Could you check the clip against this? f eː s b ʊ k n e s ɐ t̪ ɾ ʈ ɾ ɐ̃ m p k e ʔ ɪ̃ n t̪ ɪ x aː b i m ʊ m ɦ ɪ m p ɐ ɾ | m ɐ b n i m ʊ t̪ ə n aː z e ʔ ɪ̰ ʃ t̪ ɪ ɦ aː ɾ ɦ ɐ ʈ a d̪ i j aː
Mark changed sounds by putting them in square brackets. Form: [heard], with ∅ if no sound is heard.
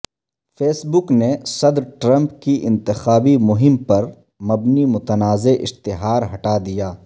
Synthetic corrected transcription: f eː s b ʊ k n e s ɐ [d̪] ɾ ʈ ɾ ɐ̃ m p k [i] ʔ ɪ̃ n t̪ ɪ x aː b i m ʊ [∅] ɦ ɪ m p ɐ ɾ | m ɐ b n i m ʊ t̪ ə n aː z e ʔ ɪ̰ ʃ t̪ ɪ ɦ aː ɾ ɦ ɐ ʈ a d̪ i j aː